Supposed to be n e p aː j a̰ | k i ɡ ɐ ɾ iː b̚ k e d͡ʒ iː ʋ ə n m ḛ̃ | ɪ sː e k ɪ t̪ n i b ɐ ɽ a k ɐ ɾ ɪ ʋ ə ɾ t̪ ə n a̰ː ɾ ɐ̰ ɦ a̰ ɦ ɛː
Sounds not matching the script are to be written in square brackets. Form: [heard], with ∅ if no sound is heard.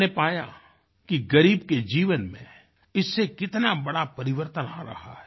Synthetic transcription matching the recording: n e p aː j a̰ | k i ɡ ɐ ɾ iː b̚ k e d͡ʒ iː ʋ ə n m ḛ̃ | ɪ sː e k ɪ t̪ n [a] b ɐ ɽ a [p] ɐ ɾ ɪ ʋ ə ɾ t̪ ə n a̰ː ɾ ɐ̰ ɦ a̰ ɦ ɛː